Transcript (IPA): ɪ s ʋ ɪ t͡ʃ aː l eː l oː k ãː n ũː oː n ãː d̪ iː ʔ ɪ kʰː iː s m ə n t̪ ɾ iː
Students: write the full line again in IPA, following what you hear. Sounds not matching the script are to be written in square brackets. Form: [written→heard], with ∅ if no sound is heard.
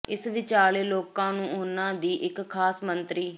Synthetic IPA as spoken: ɪ s ʋ ɪ t͡ʃ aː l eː l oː k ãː n ũː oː n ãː d̪ iː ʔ ɪ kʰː [iː→aː] s m ə n t̪ ɾ iː